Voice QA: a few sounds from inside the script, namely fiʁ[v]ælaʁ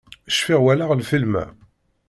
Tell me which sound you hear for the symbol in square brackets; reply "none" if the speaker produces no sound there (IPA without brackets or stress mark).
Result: w